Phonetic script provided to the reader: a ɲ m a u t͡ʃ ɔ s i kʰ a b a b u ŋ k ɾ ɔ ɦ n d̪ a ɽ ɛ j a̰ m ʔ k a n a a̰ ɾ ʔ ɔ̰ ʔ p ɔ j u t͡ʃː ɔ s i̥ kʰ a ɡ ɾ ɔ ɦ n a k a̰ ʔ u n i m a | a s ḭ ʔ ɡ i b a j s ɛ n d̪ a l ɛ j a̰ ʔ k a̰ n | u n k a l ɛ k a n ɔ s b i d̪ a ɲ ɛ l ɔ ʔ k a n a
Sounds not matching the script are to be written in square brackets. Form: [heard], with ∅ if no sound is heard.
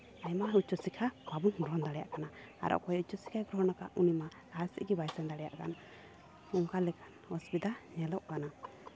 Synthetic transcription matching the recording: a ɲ m a u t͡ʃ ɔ s i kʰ a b a b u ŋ [ɡ] ɾ ɔ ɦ n d̪ a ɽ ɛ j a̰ [∅] ʔ k a n a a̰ ɾ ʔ ɔ̰ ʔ [k] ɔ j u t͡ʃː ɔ s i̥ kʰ a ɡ ɾ ɔ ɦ n a k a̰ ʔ u n i m a | a s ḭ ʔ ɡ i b a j s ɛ n d̪ a [ɽ] ɛ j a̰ ʔ k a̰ n | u [ŋ] k a l ɛ k a n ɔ s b i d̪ a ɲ ɛ l ɔ ʔ k a n a